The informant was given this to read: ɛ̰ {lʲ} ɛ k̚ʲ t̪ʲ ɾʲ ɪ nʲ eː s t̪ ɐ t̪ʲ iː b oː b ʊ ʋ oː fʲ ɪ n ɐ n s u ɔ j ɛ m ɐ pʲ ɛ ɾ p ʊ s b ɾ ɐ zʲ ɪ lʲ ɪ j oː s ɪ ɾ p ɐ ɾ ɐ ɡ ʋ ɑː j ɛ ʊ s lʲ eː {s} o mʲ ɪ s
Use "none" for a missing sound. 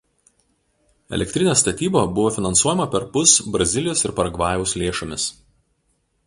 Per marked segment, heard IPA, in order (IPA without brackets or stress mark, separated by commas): lʲ, ʃ